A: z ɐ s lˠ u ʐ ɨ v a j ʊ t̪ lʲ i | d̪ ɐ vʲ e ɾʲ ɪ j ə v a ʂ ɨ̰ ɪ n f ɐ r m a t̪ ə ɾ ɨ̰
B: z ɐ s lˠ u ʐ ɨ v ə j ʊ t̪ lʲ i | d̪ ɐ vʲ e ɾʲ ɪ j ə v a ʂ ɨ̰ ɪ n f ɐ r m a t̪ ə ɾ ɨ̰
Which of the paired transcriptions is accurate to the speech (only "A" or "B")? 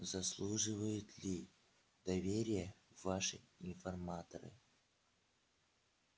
B